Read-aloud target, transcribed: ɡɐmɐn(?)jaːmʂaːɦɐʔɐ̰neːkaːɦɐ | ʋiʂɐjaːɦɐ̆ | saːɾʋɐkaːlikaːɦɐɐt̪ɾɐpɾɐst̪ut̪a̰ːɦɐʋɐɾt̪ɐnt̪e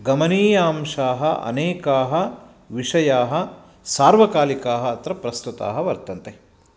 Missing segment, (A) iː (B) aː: A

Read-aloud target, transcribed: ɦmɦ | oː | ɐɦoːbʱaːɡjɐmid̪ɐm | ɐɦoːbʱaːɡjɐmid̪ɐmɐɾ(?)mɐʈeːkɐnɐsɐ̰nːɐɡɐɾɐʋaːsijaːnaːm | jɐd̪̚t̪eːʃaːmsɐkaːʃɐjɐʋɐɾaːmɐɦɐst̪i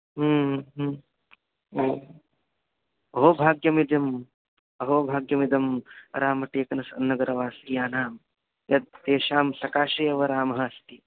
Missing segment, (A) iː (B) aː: B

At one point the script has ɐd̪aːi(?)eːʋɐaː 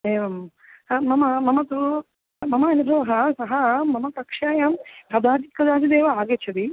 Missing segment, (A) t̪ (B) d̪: B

